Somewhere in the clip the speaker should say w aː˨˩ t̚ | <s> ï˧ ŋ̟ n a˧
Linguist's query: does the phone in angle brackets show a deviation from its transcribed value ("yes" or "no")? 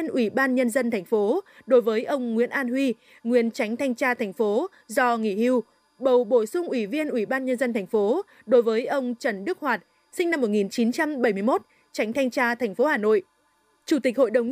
no